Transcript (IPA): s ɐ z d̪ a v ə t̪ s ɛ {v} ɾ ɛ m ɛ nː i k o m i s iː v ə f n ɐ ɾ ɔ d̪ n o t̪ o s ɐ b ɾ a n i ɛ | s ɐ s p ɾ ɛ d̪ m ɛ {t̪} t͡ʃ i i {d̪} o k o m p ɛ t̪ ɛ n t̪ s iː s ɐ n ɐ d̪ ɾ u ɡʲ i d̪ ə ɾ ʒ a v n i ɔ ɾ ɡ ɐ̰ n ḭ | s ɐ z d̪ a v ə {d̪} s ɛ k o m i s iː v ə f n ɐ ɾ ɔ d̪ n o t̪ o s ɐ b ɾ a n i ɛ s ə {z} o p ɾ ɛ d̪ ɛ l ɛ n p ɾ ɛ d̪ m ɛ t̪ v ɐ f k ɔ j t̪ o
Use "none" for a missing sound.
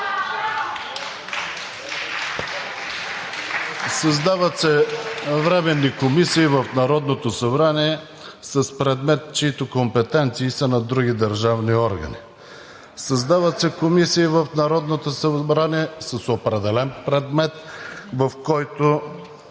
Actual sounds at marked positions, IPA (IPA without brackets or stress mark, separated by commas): v, t̪, t̪, t̪, s